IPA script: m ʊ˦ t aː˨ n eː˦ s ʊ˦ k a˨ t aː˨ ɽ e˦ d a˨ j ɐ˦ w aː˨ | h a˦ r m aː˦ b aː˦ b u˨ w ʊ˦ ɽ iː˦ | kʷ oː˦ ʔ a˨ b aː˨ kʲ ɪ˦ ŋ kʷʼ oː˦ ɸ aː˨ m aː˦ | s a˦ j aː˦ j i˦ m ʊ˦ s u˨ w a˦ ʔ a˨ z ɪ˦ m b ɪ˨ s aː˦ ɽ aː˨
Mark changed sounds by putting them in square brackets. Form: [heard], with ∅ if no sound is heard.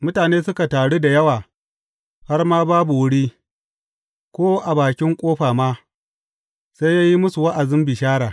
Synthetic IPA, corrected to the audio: m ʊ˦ t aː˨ n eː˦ s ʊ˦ k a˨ t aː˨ ɽ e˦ d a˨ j ɐ˦ w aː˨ | h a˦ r m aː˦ b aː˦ b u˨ w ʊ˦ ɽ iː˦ | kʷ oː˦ ʔ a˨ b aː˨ kʲ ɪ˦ ŋ kʷʼ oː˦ ɸ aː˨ m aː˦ | s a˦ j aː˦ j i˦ m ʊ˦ s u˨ w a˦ ʔ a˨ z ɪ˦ m b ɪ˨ [ʃ] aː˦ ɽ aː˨